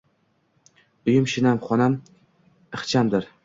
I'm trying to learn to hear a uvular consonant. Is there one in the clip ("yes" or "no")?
yes